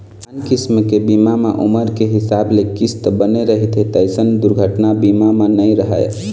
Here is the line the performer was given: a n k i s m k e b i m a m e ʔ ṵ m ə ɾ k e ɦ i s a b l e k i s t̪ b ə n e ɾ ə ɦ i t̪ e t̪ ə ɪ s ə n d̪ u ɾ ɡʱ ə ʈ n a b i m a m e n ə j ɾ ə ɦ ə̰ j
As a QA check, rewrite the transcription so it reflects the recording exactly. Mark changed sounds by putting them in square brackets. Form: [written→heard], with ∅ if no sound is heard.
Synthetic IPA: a n k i s m k e b i m a m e ʔ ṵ m ə ɾ k e ɦ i s a b l e k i s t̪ b ə n e ɾ ə ɦ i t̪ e t̪ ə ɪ s ə n d̪ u ɾ ɡʱ ə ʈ n a b i m a m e n ə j ɾ ə ɦ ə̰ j